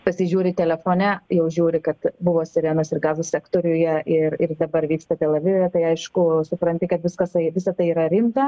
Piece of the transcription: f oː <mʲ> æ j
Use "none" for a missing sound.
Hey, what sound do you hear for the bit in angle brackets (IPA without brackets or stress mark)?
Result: nʲ